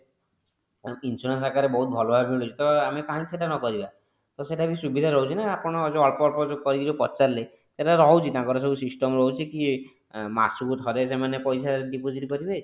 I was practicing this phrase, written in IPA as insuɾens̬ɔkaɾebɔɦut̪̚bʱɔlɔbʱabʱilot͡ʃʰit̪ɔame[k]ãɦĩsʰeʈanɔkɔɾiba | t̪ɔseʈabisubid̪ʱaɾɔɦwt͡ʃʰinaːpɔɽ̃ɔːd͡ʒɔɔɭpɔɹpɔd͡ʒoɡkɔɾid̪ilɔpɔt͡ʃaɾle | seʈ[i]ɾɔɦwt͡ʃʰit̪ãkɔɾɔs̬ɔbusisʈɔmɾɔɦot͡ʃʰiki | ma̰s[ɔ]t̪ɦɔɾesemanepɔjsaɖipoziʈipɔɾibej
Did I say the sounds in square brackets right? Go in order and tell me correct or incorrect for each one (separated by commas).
correct, incorrect, incorrect